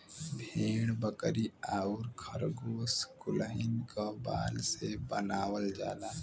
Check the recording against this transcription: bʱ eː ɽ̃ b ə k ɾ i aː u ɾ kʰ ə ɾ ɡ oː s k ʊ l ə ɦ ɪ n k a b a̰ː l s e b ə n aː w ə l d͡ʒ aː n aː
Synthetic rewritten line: bʱ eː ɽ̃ b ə k ɾ i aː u ɾ kʰ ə ɾ ɡ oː s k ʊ l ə ɦ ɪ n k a b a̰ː l s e b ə n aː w ə l d͡ʒ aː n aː

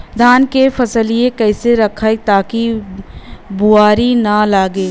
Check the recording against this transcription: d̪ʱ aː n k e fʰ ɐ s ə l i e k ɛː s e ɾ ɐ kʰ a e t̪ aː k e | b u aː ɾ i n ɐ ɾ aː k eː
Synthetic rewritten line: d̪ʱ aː n k e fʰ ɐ s ə l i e k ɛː s e ɾ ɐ kʰ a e t̪ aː k i | b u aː ɾ i n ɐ l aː ɡ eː

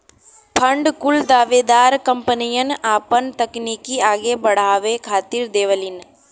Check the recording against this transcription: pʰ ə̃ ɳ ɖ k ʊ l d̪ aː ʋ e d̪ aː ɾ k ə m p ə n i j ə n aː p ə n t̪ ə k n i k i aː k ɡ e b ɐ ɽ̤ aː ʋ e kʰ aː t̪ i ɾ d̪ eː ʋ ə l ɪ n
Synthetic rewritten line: pʰ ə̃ ɳ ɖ k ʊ l d̪ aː ʋ e d̪ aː ɾ k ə m p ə n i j ə n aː p ə n t̪ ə k n i k i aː ɡ e b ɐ ɽ̤ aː ʋ e kʰ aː t̪ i ɾ d̪ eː ʋ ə l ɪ n

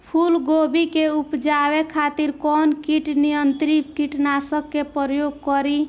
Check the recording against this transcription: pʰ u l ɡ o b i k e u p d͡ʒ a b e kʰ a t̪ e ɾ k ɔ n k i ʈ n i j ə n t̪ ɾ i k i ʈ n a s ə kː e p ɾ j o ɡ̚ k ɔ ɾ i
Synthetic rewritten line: pʰ u l ɡ o b i k e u p d͡ʒ a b e kʰ a t̪ i ɾ k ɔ n k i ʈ n i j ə n t̪ ɾ i k i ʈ n a s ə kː e p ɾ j o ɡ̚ k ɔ ɾ i

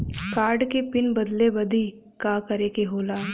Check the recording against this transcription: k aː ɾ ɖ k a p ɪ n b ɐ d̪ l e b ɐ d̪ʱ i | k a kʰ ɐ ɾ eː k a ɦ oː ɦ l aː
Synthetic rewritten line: k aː ɾ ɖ k e p ɪ n b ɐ d̪ l e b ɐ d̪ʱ i | k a k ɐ ɾ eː k e ɦ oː l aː

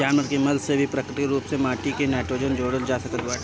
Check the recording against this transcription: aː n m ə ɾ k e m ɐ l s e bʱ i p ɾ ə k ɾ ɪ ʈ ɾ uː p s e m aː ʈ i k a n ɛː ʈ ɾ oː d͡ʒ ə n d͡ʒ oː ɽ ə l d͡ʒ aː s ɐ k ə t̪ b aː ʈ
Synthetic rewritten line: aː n m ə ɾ k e m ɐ l s e bʱ i p ɾ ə k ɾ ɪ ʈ ɾ uː p s e m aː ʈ i k e n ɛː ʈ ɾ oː d͡ʒ ə n d͡ʒ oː ɽ ə l d͡ʒ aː s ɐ k ə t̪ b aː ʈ

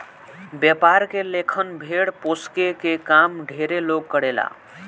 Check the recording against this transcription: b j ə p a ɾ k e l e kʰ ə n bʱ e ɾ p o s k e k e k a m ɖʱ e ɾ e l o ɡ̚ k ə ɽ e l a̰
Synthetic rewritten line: b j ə p a ɾ k e l e kʰ ə n bʱ e ɽ p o s k e k e k a m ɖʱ e ɾ e l o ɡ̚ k ə ɽ e l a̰

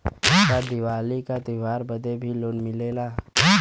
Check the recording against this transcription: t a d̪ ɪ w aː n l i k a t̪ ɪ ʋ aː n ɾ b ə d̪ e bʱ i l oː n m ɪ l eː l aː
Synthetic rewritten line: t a d̪ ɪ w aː l i k a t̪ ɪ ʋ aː ɾ b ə d̪ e bʱ i l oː n m ɪ l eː l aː

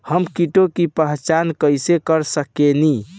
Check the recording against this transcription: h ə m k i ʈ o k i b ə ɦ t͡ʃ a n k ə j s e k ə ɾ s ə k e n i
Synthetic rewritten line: h ə m k i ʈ o k i p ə ɦ t͡ʃ a n k ə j s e k ə ɾ s ə k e n i

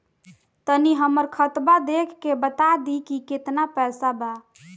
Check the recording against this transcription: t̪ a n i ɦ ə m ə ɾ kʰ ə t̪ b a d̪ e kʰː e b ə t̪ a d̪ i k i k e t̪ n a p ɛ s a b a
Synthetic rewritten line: t̪ ə n i ɦ ə m ə ɾ kʰ ə t̪ b a d̪ e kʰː e b ə t̪ a d̪ i k i k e t̪ n a p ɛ s a b a

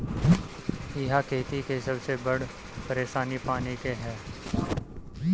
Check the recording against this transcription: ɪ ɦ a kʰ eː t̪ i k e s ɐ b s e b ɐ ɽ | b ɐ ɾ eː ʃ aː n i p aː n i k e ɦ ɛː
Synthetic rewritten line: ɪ ɦ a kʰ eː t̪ i k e s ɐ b s e b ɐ ɽ | p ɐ ɾ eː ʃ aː n i p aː n i k e ɦ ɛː

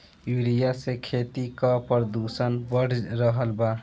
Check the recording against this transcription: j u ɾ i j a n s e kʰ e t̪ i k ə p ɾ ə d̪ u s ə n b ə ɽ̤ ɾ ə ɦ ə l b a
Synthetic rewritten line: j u ɾ i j a s e kʰ e t̪ i k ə p ɾ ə d̪ u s ə n b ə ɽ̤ ɾ ə ɦ ə l b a

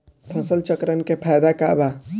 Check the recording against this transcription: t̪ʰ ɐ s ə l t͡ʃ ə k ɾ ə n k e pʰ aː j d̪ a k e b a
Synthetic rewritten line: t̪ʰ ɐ s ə l t͡ʃ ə k ɾ ə n k e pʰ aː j d̪ a k a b a

